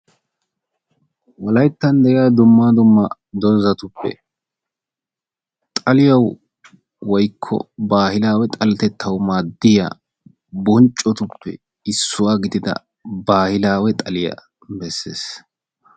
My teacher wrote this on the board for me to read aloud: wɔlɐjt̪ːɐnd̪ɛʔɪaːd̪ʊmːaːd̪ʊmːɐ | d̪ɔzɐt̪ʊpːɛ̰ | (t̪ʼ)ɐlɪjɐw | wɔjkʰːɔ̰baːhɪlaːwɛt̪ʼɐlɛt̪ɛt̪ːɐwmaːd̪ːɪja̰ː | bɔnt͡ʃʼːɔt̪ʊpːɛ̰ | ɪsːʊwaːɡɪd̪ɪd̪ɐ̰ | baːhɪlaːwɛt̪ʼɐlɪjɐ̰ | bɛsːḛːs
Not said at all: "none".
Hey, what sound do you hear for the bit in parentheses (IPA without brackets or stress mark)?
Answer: t̪ʼ